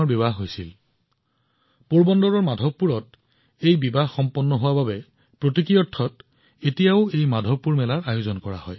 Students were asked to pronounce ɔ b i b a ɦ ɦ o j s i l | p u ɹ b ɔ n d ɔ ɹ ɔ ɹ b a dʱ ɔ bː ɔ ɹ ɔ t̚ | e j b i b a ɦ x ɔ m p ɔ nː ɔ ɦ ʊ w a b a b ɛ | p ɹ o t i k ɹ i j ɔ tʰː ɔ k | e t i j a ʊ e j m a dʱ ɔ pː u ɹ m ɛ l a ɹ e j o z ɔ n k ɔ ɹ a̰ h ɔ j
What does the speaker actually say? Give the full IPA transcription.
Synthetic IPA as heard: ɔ b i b a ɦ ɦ o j s i l | p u ɹ b ɔ n d ɔ ɹ ɔ ɹ m a dʱ ɔ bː u ɹ ɔ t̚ | e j b i b a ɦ x ɔ m p ɔ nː ɔ ɦ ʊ w a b a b ɛ | p ɹ o t i k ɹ i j ɔ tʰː ɔ t | e t i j a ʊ e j m a dʱ ɔ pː u ɹ m ɛ l a ɹ a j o z ɔ n k ɔ ɹ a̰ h ɔ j